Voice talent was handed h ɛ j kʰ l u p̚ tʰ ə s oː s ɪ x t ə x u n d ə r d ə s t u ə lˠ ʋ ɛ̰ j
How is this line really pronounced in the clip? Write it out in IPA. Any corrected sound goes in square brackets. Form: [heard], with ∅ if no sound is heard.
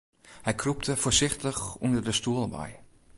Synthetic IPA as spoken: h ɛ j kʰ [r] u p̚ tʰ ə [f] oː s ɪ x t ə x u n d ə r d ə s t u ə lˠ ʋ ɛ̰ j